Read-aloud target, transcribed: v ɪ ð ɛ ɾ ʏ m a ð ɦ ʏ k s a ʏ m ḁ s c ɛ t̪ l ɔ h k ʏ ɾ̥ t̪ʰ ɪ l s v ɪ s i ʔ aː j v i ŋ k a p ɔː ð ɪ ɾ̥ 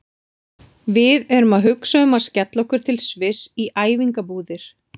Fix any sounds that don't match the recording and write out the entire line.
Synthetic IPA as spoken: v ɪ ð ɛ ɾ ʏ m a ð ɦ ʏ k s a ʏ m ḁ s c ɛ t̪ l ɔ h k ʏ ɾ̥ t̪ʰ ɪ l s v ɪ s i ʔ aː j v i ŋ k a p uː ð ɪ ɾ̥

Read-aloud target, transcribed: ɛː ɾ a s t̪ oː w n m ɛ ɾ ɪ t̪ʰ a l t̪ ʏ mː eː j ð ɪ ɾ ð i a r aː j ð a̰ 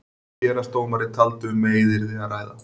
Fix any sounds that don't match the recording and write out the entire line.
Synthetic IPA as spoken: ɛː ɾ a s t̪ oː w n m a ɾ ɪ t̪ʰ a l t̪ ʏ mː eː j ð ɪ ɾ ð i a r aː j ð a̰

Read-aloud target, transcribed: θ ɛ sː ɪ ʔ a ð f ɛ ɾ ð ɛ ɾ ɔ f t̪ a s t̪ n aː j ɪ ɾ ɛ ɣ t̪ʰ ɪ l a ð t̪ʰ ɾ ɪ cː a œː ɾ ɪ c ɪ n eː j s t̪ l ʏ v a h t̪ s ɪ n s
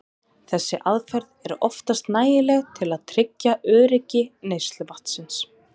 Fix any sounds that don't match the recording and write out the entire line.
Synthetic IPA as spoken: θ ɛ sː ɪ ʔ a ð f ɛ ɾ ð ɛ ɾ ɔ f t̪ a s t̪ n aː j ɪ l ɛ ɣ t̪ʰ ɪ l a ð t̪ʰ ɾ ɪ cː a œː ɾ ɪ c ɪ n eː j s t̪ l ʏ v a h t̪ s ɪ n s

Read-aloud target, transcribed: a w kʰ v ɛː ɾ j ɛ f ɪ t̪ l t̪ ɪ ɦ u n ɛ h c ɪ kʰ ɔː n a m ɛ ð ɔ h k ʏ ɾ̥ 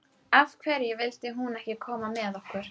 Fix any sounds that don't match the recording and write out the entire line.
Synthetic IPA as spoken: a v kʰ v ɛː ɾ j ɛ v ɪ l t̪ ɪ ɦ u n ɛ h c ɪ kʰ ɔː m a m ɛ ð ɔ h k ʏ ɾ̥

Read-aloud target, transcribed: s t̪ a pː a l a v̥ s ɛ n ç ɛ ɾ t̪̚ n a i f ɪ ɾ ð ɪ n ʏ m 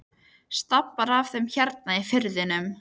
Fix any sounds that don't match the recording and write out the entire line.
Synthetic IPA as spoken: s t̪ a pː a ɾ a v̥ θ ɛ m ç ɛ ɾ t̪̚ n a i f ɪ ɾ ð ɪ n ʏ m

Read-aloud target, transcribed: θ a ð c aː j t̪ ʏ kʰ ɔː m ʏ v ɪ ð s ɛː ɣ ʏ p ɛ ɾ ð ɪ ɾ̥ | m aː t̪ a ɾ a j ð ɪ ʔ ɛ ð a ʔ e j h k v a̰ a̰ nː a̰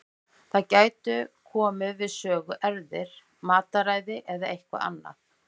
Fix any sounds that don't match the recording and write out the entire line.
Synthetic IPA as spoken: θ a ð c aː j t̪ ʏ kʰ ɔː m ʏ v ɪ ð s œː ɣ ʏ ʔ ɛ ɾ ð ɪ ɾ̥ | m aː t̪ a ɾ a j ð ɪ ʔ ɛ ð a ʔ e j h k v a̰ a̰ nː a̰

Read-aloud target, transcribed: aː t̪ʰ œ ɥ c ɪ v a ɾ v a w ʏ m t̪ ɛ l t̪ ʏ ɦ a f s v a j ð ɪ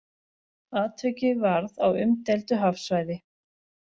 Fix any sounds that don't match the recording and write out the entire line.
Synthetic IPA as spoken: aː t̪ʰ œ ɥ c ɪ v a ɾ ð a w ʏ m t̪ ɛ l t̪ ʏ ɦ a f s v a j ð ɪ

